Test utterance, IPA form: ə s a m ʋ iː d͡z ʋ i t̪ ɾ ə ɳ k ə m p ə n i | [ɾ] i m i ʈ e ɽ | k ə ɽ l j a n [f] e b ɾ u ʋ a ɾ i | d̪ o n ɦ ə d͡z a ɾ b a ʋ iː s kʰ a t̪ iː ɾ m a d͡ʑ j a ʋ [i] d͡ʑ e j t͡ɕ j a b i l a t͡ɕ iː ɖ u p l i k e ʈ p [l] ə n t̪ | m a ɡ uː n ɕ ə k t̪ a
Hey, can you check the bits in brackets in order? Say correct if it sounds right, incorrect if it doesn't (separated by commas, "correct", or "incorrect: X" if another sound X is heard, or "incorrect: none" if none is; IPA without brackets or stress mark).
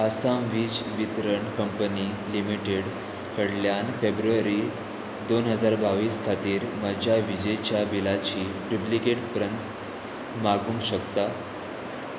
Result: incorrect: l, correct, correct, incorrect: ɾ